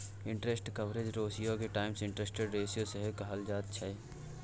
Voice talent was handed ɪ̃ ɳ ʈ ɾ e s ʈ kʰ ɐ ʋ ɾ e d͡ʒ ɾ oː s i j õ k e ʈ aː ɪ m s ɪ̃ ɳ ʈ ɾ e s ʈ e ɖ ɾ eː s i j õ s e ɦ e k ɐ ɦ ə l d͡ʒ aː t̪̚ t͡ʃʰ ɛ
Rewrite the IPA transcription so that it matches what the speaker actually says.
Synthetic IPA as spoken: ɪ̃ ɳ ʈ ɾ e s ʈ k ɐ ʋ ɾ e d͡ʒ ɾ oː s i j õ k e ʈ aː ɪ m s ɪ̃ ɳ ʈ ɾ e s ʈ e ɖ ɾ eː s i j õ s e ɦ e k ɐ ɦ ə l d͡ʒ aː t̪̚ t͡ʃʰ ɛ